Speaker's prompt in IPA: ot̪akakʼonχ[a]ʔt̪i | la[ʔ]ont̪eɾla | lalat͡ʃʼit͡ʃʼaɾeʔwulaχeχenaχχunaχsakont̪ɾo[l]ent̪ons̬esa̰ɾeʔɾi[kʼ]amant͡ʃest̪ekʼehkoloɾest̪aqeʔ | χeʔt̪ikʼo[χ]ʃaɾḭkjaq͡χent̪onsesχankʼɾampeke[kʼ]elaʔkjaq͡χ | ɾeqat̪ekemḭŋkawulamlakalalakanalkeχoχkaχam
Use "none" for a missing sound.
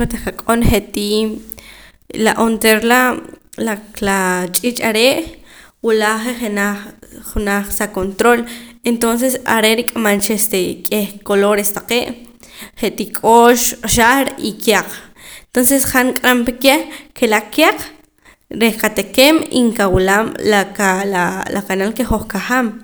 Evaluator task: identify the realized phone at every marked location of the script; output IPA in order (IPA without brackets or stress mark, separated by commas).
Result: e, ʔ, l, kʼ, ʃ, k